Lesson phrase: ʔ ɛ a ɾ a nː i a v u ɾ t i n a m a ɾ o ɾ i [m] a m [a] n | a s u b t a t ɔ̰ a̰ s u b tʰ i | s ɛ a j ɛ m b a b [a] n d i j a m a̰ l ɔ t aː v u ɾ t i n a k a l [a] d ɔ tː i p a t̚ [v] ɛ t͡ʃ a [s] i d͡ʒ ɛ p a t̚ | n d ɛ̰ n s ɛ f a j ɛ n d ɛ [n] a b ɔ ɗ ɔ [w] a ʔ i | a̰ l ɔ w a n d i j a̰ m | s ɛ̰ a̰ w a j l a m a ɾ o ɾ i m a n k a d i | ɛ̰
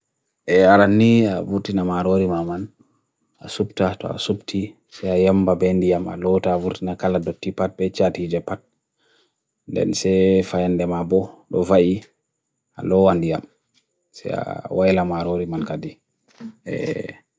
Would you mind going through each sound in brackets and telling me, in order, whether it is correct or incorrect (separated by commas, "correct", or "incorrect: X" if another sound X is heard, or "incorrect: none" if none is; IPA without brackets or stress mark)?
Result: correct, correct, incorrect: ɛ, correct, incorrect: b, incorrect: t, incorrect: m, incorrect: v